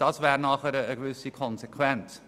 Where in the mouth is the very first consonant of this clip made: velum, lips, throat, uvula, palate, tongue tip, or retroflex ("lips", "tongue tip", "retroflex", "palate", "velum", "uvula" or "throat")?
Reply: tongue tip